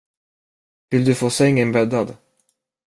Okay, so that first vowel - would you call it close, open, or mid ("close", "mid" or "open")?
close